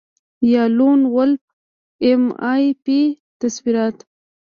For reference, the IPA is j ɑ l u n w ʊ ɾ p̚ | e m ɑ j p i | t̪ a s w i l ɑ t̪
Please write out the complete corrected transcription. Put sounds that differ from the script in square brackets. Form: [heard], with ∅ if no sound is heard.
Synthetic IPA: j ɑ l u n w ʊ [l] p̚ | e m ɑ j p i | t̪ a s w i [ɾ] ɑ t̪